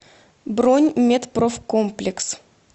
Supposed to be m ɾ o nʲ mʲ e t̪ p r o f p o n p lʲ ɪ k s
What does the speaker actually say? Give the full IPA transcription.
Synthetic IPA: b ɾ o nʲ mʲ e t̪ p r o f k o m p lʲ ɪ k s

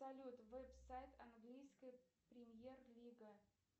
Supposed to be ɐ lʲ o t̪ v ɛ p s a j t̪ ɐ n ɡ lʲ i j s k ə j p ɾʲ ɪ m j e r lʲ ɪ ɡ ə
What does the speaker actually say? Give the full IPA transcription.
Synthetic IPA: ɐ lʲ u t̪ v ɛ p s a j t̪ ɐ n ɡ lʲ i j s k ə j p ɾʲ ɪ m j e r lʲ i ɡ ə

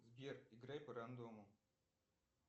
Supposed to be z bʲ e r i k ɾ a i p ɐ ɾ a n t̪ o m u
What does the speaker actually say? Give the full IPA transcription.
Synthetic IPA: z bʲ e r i ɡ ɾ a j p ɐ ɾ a n d̪ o m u

